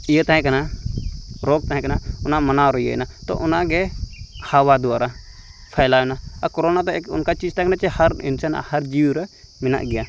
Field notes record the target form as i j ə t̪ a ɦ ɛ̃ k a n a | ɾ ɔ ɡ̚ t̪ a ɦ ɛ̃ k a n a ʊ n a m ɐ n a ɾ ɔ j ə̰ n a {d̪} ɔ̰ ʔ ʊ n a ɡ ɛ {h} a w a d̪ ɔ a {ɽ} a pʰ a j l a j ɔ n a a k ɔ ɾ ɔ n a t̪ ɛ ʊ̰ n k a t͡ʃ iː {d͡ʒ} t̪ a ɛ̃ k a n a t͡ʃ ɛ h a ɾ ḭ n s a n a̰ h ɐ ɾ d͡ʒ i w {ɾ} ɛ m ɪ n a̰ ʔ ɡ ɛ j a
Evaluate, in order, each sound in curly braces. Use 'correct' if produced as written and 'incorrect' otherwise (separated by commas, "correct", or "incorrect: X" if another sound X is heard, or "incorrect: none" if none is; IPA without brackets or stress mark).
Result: incorrect: t̪, correct, incorrect: ɾ, correct, correct